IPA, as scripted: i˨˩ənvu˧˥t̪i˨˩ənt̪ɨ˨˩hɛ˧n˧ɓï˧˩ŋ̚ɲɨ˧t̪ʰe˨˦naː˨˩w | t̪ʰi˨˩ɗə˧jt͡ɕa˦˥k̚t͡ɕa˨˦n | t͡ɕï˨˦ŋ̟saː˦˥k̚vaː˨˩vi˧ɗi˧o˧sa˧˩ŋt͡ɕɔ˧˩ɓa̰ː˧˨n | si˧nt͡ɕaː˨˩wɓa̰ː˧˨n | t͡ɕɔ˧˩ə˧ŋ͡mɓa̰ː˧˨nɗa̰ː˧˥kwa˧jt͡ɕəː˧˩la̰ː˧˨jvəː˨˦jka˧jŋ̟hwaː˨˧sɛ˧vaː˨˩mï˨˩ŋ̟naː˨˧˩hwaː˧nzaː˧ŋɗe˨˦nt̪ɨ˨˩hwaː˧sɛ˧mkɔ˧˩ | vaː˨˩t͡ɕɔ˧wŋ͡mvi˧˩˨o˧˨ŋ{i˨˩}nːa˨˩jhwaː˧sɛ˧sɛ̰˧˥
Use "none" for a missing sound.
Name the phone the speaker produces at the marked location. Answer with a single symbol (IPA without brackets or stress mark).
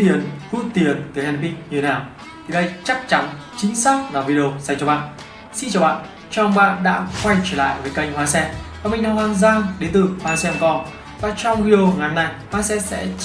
a˨˩